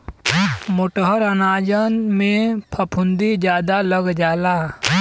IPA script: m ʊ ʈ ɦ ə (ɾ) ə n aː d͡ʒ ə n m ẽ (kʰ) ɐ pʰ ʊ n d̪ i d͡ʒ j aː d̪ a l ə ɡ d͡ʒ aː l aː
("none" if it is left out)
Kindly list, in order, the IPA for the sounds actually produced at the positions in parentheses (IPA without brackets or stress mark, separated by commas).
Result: ɾ, pʰ